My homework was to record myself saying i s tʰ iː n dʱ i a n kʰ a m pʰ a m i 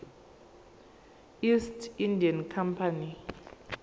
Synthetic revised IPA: i s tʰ i n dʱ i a n kʰ a m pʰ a n i